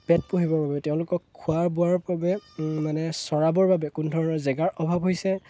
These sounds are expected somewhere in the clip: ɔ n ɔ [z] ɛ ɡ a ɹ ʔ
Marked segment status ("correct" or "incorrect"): correct